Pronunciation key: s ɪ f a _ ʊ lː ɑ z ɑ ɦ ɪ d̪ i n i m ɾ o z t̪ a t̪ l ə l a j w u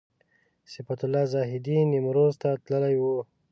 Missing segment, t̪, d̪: t̪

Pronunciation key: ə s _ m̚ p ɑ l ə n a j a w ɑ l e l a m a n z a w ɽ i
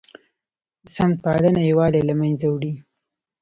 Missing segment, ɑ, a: a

